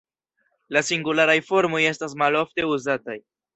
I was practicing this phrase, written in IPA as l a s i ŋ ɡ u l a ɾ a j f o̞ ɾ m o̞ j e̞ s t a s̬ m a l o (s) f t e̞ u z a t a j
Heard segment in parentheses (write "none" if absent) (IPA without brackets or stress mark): none